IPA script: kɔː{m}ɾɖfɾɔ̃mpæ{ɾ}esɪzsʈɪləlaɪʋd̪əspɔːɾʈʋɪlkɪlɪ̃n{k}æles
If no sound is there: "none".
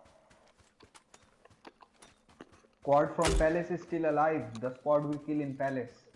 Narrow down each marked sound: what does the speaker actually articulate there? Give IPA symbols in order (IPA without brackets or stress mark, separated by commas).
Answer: none, l, p